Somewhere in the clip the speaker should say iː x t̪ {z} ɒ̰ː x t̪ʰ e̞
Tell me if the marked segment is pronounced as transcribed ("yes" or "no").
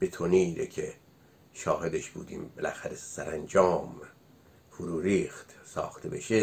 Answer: no